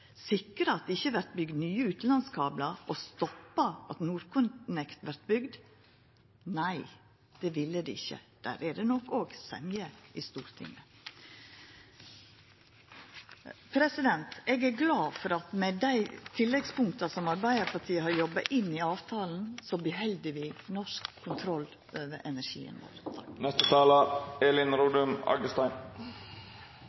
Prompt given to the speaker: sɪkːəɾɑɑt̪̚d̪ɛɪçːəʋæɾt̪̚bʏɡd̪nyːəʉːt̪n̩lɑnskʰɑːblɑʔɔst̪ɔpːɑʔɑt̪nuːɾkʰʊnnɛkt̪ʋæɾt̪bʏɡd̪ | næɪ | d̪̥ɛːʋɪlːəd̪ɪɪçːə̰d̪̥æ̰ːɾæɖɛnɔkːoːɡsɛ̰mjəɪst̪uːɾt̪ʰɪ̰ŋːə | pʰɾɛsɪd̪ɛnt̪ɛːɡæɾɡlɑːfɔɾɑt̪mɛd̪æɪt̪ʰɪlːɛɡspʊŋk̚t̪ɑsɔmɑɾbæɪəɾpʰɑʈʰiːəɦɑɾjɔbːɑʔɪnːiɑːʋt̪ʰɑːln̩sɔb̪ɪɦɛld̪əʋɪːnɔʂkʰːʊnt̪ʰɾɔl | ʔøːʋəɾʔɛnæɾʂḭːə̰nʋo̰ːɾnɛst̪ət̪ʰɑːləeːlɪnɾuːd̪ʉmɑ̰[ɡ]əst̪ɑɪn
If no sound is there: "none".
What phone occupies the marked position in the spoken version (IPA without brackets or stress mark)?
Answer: ɡ